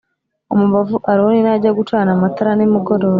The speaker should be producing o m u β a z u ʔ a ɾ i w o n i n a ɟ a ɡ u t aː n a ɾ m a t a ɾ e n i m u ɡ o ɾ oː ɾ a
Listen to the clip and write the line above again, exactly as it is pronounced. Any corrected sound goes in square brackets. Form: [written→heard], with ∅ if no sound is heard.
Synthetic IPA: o m u β a [z→v] u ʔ a ɾ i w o n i n a ɟ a ɡ u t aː n a [ɾ→∅] m a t a ɾ [e→a] n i m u ɡ o ɾ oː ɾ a